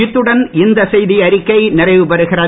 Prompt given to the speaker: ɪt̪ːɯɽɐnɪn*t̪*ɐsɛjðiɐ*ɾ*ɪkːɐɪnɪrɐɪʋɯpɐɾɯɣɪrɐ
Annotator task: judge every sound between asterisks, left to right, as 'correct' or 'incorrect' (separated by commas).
incorrect, correct